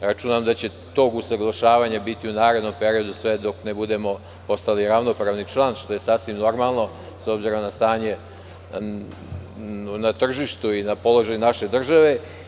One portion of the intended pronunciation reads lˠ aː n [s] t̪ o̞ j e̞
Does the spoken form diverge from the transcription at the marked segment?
yes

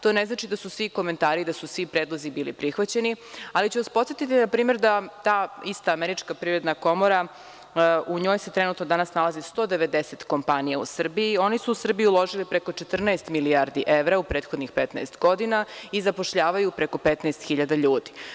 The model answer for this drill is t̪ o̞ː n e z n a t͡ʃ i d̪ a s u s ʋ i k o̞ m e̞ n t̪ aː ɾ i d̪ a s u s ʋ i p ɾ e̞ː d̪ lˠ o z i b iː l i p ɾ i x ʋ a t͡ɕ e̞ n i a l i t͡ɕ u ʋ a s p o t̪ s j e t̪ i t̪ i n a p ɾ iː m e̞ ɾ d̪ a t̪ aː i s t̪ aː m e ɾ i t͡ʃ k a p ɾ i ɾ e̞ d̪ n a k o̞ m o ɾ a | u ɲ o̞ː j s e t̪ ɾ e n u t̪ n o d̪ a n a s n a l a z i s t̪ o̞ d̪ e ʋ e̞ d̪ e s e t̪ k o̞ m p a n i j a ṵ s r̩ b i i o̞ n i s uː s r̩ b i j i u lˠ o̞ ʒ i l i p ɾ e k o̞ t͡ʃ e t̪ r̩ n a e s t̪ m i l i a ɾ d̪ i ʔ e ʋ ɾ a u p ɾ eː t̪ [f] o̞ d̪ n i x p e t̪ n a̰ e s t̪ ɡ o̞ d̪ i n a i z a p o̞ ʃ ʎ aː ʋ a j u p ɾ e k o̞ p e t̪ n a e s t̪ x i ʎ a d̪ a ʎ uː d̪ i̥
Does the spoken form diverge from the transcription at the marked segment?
yes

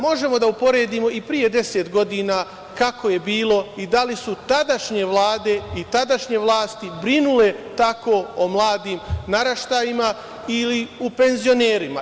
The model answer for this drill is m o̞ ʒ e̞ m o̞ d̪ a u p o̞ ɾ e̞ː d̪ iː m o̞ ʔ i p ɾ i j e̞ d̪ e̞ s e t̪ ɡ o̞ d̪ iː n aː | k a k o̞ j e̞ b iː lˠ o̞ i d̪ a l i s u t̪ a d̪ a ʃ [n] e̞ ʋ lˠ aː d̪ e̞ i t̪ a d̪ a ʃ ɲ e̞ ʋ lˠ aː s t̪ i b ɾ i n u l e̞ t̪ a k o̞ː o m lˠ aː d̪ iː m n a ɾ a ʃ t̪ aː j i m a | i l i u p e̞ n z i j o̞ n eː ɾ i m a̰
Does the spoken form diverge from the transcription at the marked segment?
yes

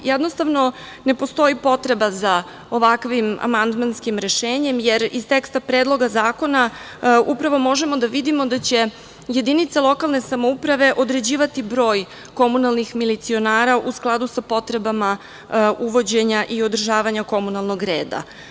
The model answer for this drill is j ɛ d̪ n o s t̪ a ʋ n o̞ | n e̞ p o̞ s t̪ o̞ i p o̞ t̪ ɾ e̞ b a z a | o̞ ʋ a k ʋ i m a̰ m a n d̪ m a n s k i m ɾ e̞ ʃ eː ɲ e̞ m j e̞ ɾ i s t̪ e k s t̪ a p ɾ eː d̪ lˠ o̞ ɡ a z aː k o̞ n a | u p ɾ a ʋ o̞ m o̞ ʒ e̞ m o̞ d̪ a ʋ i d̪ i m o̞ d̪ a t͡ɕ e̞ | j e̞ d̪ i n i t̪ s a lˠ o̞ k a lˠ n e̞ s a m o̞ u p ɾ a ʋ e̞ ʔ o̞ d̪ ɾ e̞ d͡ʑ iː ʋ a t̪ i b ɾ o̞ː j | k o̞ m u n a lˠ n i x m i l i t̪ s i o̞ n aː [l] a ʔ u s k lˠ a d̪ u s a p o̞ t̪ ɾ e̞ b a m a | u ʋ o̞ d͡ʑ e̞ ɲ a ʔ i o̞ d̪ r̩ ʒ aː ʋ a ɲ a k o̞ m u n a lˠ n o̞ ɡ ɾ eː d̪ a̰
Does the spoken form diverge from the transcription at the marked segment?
yes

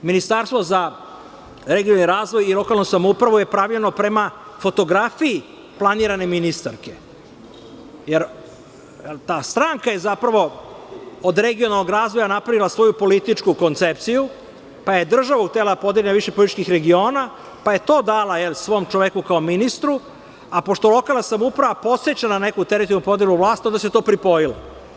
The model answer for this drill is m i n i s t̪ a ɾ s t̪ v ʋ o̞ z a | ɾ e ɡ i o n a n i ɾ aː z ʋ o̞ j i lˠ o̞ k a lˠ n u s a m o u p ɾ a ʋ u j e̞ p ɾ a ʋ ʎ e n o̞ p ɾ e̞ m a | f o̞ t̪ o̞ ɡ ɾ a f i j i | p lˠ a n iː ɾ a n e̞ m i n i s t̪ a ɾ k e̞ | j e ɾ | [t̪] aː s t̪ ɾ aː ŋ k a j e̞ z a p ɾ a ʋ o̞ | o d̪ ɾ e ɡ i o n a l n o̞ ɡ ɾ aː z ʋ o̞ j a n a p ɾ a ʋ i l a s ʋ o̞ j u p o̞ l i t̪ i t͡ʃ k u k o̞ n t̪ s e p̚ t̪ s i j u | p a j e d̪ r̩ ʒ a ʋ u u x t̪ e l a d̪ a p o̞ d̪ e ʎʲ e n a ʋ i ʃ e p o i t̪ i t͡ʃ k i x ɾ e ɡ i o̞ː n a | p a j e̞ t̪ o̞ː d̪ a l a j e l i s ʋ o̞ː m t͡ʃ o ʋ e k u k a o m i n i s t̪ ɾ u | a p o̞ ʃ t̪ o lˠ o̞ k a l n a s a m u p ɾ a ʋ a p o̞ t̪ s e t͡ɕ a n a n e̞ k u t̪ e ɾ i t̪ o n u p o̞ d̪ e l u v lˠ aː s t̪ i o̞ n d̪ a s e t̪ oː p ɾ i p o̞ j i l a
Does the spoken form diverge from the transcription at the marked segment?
no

